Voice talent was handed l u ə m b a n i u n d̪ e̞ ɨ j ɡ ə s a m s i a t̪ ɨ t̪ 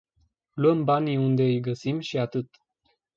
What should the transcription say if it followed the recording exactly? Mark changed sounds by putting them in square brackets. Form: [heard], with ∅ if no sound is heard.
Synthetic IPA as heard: l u ə m b a n i u n d̪ e̞ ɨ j ɡ ə s [i] m [ʃ] i a t̪ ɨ t̪